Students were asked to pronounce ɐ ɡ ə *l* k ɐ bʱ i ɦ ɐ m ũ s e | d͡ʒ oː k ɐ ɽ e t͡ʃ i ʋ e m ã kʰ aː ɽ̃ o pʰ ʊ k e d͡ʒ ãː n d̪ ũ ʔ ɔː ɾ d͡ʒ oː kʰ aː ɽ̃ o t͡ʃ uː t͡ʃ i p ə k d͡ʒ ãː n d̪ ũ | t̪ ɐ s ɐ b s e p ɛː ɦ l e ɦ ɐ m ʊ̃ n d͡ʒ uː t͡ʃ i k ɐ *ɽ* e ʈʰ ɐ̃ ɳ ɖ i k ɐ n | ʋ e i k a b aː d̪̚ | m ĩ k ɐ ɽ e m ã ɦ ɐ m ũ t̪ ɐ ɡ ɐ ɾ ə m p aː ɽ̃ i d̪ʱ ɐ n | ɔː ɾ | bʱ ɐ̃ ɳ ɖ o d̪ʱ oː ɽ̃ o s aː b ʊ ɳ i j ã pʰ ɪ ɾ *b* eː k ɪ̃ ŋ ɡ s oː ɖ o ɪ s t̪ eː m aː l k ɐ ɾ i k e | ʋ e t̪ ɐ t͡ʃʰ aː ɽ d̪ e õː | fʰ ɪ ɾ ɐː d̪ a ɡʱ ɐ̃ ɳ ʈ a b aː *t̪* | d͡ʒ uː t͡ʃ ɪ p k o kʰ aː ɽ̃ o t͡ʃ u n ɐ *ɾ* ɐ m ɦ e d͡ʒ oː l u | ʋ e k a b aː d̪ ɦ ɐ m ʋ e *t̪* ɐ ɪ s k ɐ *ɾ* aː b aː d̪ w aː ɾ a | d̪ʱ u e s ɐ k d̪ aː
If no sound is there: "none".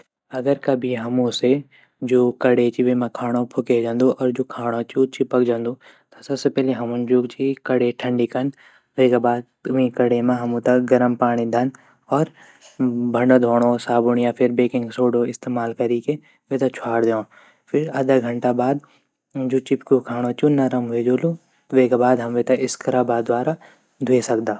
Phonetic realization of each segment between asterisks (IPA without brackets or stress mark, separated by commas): ɾ, ɽ, b, d̪, ɾ, t̪, ɾ